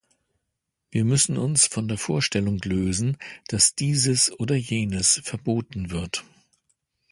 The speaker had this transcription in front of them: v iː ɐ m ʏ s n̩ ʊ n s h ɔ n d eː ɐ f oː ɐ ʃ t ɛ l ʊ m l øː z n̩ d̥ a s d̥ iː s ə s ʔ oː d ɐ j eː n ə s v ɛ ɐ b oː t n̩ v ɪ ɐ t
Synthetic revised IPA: v iː ɐ m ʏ s n̩ ʊ n s f ɔ n d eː ɐ f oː ɐ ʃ t ɛ l ʊ ŋ l øː z n̩ d̥ a s d̥ iː z ə s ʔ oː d ɐ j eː n ə s f ɛ ɐ b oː t n̩ v ɪ ɐ t